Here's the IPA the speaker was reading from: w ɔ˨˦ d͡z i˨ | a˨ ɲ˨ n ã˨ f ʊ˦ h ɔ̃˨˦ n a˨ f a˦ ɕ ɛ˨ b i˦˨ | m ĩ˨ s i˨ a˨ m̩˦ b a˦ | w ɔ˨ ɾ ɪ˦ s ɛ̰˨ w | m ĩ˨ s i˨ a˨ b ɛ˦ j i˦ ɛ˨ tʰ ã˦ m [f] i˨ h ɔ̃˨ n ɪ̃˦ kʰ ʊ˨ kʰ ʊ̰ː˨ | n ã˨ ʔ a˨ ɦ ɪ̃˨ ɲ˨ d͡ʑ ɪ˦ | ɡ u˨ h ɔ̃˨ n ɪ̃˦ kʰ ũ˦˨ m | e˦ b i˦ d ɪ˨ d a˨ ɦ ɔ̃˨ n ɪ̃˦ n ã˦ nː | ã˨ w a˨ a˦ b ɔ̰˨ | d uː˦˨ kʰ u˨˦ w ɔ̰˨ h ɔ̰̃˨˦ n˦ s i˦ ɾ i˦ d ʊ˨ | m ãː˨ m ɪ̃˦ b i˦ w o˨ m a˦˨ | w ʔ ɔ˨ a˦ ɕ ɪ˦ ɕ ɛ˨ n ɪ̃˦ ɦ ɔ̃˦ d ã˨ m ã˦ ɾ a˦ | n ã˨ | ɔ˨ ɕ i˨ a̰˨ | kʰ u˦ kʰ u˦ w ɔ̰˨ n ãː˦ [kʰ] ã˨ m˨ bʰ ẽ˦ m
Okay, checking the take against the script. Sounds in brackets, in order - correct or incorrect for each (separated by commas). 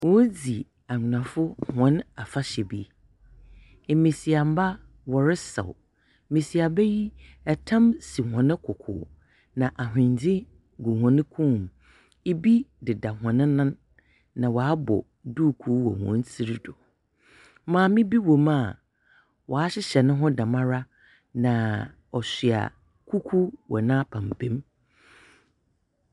incorrect, incorrect